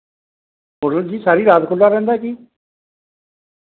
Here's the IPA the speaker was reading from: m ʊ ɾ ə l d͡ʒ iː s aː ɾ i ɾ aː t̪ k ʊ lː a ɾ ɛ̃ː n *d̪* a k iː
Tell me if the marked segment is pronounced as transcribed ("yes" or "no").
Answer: yes